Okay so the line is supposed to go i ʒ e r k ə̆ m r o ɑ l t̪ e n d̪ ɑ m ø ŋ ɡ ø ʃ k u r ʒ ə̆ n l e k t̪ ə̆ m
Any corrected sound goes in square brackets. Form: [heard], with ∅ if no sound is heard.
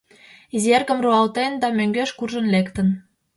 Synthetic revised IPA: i [z] e r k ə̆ m r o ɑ l t̪ e n d̪ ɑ m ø ŋ ɡ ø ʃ k u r ʒ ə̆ n l e k t̪ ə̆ [n]